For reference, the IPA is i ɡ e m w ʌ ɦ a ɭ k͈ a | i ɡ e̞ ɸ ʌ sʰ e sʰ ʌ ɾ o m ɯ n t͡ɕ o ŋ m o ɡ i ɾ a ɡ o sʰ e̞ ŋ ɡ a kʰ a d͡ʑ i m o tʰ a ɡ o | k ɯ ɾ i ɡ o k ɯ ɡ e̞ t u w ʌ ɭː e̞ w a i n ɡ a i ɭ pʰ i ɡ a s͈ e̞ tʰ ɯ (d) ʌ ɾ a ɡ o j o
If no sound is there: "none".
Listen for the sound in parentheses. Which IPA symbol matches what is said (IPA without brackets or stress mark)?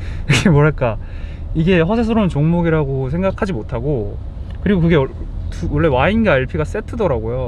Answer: d